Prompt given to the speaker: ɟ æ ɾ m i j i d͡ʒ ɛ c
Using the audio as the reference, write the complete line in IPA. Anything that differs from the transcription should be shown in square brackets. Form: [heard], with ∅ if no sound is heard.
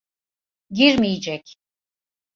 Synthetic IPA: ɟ [i] ɾ m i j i d͡ʒ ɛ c

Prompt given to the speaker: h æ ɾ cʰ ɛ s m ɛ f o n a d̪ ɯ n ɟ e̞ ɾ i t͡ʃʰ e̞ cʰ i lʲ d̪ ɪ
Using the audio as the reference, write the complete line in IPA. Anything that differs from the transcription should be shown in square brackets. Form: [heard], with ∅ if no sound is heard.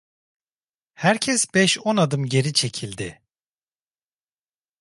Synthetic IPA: h æ ɾ cʰ ɛ s [b] ɛ [ʃ] o n a d̪ ɯ [m] ɟ e̞ ɾ i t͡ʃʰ e̞ cʰ i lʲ d̪ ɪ

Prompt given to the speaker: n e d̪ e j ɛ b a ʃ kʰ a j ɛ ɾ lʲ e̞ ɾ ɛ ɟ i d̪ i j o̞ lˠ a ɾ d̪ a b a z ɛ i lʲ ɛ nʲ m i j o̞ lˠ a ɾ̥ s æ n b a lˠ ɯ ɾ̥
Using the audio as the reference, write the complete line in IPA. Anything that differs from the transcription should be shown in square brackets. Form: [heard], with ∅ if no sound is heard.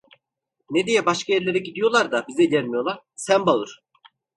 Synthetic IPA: n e d̪ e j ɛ b a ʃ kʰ a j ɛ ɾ lʲ e̞ ɾ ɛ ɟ i d̪ i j o̞ lˠ a ɾ d̪ a b [i] z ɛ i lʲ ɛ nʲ m i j o̞ lˠ a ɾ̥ s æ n b a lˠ ɯ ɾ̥

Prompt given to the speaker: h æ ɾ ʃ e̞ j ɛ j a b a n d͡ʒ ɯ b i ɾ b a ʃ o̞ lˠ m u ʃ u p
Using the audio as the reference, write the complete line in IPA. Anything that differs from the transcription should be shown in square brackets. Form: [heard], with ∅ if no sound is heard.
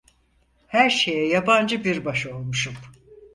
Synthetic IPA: h æ ɾ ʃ e̞ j ɛ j a b a n d͡ʒ ɯ b i ɾ b a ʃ o̞ lˠ m u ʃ u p

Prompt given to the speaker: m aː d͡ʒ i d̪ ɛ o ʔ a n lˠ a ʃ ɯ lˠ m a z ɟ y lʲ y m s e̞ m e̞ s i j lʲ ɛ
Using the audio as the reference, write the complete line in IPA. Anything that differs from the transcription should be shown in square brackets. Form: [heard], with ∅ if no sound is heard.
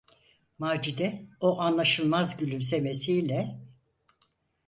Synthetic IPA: m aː d͡ʒ i d̪ ɛ o ʔ a n lˠ a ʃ ɯ lˠ m a z ɟ y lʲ y m s e̞ m e̞ s i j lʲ ɛ

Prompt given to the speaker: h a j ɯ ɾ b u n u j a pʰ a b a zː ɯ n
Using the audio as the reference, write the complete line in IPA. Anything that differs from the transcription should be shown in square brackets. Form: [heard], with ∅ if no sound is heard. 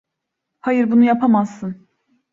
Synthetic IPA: h a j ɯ ɾ b u n u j a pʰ a [m] a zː ɯ n

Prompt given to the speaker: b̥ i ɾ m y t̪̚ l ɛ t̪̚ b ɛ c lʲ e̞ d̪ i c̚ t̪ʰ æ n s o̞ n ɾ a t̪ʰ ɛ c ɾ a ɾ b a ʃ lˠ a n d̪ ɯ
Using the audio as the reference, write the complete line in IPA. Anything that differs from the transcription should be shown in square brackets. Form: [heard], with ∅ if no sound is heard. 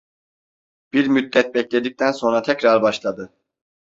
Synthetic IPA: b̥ i ɾ m y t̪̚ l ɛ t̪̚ b ɛ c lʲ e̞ d̪ i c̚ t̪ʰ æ n s o̞ n ɾ a t̪ʰ ɛ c ɾ a ɾ b a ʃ lˠ a [∅] d̪ ɯ

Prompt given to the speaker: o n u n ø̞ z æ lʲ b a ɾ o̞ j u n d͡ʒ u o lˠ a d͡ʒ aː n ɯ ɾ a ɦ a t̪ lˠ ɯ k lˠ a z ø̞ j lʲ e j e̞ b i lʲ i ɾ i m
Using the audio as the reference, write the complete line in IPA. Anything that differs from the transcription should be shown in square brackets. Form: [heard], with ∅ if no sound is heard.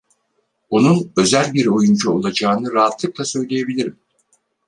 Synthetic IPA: o n u n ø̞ z æ lʲ b [i] ɾ o̞ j u n d͡ʒ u o lˠ a d͡ʒ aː n ɯ ɾ a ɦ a t̪ lˠ ɯ k lˠ a [s] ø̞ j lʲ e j e̞ b i lʲ i ɾ i m

